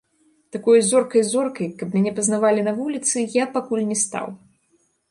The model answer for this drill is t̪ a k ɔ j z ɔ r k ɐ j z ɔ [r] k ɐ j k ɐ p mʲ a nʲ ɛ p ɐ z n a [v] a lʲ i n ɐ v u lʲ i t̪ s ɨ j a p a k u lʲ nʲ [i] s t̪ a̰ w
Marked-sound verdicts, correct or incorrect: correct, correct, incorrect

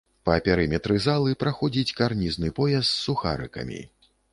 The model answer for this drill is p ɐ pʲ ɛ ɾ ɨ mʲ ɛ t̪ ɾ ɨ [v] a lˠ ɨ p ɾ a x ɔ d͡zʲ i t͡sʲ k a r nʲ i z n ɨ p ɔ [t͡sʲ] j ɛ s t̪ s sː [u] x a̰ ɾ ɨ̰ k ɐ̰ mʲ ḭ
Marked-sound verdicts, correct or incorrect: incorrect, incorrect, correct

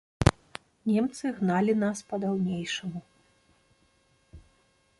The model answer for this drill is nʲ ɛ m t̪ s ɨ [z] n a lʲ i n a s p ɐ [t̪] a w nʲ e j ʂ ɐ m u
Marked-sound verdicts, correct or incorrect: incorrect, incorrect

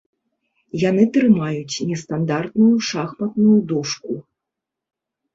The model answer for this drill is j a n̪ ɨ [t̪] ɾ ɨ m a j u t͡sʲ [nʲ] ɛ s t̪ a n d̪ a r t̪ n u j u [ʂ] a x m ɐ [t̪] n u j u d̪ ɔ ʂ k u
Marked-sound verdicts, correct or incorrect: correct, correct, correct, correct

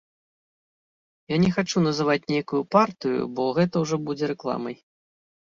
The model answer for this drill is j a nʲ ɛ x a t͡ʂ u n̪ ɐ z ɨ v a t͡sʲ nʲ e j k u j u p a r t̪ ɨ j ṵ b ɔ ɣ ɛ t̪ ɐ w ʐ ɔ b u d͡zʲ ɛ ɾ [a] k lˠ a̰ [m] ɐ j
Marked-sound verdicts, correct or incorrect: incorrect, correct

